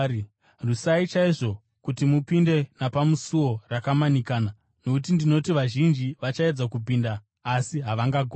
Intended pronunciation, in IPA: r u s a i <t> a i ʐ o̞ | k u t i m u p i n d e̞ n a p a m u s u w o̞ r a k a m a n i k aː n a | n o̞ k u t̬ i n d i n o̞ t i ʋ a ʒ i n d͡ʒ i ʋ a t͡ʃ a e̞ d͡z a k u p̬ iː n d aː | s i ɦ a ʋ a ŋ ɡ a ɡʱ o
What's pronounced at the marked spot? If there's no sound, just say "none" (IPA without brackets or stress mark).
t͡ʃ